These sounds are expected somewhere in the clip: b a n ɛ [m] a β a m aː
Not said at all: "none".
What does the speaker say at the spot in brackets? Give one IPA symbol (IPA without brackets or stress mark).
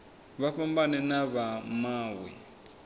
n